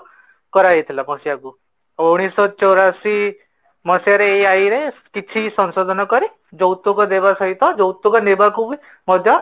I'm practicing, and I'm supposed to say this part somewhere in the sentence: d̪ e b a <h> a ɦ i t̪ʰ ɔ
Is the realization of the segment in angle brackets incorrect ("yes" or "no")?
yes